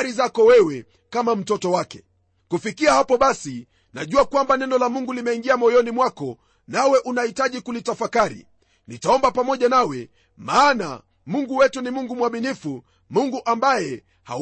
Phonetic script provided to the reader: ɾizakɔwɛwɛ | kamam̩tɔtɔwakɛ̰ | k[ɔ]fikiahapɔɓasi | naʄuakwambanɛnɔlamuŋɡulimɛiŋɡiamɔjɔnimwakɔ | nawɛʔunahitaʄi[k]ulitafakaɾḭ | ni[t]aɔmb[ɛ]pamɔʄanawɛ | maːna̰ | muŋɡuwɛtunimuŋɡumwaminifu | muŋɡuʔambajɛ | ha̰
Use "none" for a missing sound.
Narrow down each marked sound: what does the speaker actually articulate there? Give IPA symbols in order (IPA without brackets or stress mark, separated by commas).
u, k, t, a